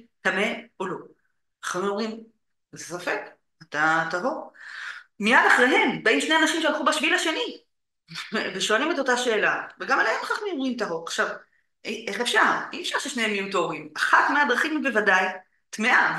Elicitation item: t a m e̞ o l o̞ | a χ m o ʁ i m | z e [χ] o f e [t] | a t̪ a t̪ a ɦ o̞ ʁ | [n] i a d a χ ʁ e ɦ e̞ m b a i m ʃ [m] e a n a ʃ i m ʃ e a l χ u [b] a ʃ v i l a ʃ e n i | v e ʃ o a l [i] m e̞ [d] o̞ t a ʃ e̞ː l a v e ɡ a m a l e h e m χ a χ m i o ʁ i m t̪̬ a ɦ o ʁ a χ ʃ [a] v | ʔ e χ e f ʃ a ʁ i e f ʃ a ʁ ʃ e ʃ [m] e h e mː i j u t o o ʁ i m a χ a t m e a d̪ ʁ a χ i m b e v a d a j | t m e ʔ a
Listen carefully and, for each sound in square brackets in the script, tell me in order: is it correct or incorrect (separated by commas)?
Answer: incorrect, incorrect, incorrect, incorrect, correct, correct, incorrect, correct, incorrect